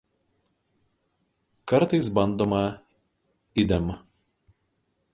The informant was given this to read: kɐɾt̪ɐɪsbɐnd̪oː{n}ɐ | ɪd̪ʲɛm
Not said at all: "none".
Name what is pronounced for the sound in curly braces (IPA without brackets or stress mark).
m